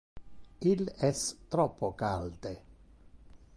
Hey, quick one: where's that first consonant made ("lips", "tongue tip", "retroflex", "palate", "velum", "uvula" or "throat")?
tongue tip